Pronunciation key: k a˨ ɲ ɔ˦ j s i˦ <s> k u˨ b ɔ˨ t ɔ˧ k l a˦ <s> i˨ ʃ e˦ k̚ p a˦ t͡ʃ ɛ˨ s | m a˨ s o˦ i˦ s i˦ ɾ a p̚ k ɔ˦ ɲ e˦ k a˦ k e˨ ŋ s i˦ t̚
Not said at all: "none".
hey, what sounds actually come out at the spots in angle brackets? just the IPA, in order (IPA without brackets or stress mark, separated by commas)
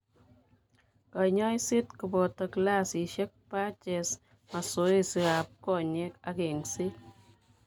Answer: t, s